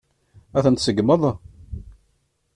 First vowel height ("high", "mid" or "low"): low